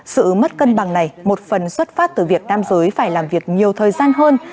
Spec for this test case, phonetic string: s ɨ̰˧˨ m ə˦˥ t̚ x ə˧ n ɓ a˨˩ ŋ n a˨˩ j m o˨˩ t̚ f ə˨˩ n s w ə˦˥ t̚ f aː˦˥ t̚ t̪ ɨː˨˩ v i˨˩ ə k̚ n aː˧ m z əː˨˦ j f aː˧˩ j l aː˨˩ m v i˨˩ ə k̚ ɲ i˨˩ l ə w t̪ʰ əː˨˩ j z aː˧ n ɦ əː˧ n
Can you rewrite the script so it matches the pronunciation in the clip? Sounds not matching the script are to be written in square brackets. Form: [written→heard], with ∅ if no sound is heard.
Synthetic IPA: s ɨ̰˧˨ m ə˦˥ t̚ [x→k] ə˧ n ɓ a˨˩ ŋ n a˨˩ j m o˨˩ t̚ f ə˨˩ n s w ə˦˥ t̚ f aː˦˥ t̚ t̪ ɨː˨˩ v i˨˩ ə k̚ n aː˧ m z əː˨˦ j f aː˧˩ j l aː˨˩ m v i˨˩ ə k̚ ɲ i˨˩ [l→∅] ə w t̪ʰ əː˨˩ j z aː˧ n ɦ əː˧ n